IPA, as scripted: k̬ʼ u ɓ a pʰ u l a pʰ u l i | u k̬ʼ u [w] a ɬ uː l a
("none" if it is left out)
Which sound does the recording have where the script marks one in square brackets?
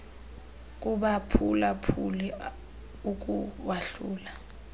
w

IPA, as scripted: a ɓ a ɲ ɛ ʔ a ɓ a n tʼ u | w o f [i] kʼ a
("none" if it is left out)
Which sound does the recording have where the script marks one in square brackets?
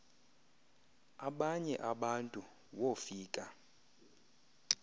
iː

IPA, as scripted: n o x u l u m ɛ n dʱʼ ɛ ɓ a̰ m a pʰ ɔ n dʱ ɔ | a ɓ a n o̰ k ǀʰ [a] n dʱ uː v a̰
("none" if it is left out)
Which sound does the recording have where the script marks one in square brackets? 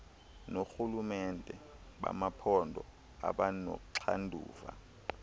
a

